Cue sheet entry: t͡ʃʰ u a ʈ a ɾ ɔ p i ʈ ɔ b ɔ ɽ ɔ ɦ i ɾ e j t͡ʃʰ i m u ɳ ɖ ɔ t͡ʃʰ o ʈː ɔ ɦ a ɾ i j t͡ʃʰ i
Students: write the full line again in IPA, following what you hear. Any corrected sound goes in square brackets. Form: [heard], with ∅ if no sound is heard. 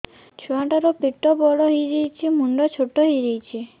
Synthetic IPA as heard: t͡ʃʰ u a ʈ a ɾ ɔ p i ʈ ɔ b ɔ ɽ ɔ ɦ i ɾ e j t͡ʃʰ i m u ɳ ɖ ɔ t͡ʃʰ o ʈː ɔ ɦ [i] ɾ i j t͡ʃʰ i